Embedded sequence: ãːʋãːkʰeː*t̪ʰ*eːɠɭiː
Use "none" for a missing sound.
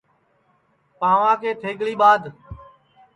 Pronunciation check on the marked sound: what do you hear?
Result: t̪ʰ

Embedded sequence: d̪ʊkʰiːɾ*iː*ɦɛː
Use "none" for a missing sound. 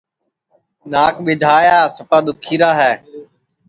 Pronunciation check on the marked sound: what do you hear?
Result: aː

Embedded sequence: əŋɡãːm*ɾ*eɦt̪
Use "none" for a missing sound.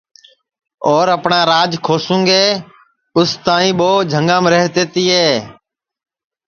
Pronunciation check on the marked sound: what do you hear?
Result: ɾ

